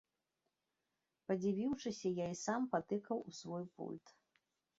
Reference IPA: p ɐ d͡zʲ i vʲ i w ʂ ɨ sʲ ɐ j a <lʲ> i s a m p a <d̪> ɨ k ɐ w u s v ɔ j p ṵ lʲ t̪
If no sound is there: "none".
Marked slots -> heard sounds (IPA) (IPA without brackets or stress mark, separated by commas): none, t̪